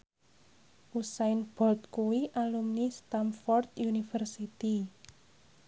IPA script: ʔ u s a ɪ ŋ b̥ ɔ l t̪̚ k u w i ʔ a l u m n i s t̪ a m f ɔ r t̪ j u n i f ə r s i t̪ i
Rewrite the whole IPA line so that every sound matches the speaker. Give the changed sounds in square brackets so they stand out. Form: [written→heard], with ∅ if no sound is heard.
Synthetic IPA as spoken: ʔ u s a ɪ [ŋ→n] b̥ ɔ l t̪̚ k u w i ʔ a l u m n i s t̪ a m f ɔ r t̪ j u n i f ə r s i t̪ i